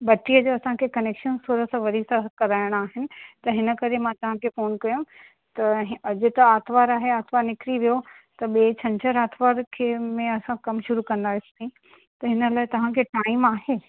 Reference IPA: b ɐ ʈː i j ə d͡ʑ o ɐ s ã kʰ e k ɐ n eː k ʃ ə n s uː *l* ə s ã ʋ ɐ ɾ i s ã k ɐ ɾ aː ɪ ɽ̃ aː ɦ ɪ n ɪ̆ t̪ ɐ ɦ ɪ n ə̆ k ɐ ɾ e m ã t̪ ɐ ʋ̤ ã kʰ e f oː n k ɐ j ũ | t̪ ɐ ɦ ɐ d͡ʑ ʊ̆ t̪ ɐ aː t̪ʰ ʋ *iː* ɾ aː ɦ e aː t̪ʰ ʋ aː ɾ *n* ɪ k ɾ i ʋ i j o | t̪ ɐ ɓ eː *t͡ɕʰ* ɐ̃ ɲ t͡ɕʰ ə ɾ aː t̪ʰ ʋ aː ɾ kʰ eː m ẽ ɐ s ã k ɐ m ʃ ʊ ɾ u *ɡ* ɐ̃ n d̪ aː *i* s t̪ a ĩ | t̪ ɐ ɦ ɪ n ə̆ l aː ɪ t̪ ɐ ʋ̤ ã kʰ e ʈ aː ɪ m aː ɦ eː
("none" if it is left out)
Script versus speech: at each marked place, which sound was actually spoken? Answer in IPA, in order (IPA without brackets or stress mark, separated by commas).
ɾ, aː, n, t͡ɕʰ, k, ɪ